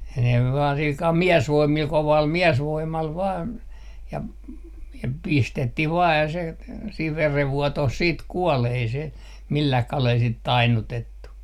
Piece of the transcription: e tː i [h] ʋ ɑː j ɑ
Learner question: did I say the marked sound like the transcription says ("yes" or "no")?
yes